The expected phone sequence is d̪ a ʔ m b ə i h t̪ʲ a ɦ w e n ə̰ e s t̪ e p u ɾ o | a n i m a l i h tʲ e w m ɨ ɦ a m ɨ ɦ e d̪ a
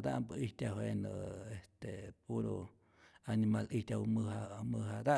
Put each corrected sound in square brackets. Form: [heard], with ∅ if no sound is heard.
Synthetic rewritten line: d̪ a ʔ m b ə i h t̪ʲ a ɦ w e n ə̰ e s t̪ e p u ɾ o | a n i m a l i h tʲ [a] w m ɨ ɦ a m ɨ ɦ [a] d̪ a